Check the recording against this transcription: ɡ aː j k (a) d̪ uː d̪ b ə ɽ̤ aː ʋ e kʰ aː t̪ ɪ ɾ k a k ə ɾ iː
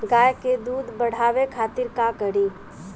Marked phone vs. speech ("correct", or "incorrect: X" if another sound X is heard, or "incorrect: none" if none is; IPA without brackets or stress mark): incorrect: e